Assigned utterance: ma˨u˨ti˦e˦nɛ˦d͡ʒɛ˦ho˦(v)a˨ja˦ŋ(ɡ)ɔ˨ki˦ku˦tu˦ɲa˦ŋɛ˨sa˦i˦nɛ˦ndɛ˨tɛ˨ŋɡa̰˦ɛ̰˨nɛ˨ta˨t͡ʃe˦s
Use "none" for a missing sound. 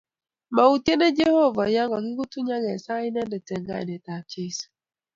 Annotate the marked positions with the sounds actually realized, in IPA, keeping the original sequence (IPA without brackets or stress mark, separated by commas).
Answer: v, ɡ